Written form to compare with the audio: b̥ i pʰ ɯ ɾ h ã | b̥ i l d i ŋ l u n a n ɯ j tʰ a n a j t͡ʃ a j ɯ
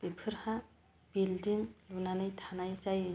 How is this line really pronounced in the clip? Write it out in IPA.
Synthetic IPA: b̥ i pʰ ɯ ɾ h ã | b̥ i l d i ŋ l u n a n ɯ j tʰ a n a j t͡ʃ a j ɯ